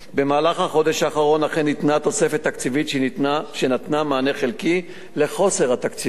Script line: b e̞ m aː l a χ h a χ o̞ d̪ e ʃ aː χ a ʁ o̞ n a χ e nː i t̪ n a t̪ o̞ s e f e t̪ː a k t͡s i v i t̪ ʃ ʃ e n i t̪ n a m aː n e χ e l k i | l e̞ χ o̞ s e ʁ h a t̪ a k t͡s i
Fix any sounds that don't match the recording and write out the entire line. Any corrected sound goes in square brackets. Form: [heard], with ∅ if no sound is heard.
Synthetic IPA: b e̞ m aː l a χ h a χ o̞ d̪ e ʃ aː χ a ʁ o̞ n a χ e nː i t̪ n a t̪ o̞ s e f e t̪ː a k t͡s i v i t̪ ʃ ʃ e n [a] t̪ n a m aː n e χ e l k i | l e̞ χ o̞ s e ʁ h a t̪ a k t͡s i